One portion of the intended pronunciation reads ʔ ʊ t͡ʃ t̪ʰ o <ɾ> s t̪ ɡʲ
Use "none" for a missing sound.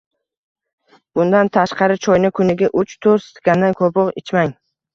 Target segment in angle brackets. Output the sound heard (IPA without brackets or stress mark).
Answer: ɾ